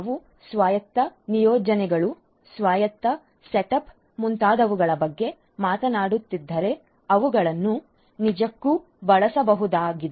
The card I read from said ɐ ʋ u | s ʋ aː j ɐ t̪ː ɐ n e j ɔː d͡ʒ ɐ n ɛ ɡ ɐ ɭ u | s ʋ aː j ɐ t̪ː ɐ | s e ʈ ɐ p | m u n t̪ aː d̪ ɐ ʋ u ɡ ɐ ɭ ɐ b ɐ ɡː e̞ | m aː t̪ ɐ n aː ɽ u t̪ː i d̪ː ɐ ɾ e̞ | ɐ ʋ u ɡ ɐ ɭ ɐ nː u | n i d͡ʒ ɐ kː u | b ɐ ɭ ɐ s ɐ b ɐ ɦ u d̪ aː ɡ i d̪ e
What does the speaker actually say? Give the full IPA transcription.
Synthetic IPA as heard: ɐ ʋ u | s ʋ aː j ɐ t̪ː ɐ n i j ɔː d͡ʒ ɐ n ɛ ɡ ɐ ɭ u | s ʋ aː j ɐ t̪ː ɐ | s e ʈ ɐ p | m u n t̪ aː d̪ ɐ ʋ u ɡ ɐ ɭ ɐ b ɐ ɡː e̞ | m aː t̪ ɐ n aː ɽ u t̪ː i d̪ː ɐ ɾ e̞ | ɐ ʋ u ɡ ɐ ɭ ɐ nː u | n i d͡ʒ ɐ kː u | b ɐ ɭ ɐ s ɐ b ɐ ɦ u d̪ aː ɡ i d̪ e